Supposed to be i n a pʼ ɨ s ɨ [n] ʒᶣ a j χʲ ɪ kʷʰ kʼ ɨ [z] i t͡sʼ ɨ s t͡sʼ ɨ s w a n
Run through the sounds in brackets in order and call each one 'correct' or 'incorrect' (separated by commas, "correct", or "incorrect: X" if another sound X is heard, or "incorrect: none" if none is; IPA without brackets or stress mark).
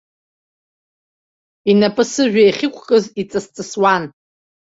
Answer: incorrect: none, correct